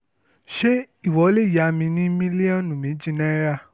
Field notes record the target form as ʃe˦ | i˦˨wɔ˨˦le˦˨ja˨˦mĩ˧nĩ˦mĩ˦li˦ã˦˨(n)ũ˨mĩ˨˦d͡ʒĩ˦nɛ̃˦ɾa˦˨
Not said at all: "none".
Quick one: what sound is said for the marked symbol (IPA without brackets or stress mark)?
n